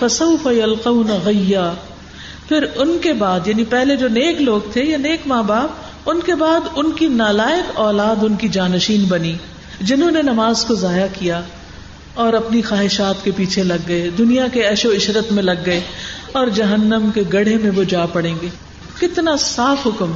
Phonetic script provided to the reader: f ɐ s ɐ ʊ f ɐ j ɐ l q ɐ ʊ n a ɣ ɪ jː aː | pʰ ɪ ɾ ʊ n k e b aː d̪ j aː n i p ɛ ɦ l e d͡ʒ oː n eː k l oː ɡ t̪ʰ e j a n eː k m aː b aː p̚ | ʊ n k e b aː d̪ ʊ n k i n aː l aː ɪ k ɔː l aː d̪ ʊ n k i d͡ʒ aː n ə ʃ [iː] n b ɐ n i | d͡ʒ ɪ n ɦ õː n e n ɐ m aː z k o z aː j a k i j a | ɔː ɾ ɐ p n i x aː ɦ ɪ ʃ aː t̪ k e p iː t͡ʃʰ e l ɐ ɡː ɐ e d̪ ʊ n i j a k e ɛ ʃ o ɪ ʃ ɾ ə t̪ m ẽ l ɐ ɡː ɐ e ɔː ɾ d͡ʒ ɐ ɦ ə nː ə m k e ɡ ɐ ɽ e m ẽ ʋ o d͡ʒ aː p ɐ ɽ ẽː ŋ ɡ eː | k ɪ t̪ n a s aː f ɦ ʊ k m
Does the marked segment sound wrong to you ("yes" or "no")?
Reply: no